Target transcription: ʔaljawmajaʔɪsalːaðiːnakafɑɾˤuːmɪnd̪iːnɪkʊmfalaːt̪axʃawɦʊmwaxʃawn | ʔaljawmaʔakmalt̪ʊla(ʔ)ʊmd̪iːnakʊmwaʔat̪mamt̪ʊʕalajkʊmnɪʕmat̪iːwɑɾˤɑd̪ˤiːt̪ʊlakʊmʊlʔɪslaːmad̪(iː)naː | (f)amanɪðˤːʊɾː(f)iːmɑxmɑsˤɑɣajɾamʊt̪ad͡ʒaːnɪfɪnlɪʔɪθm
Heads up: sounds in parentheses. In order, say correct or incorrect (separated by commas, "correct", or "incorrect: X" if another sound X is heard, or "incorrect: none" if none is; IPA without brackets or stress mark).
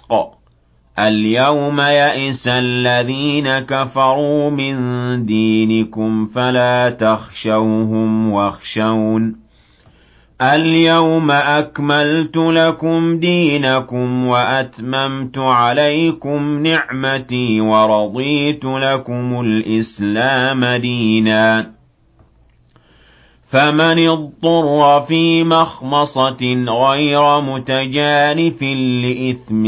incorrect: k, correct, correct, correct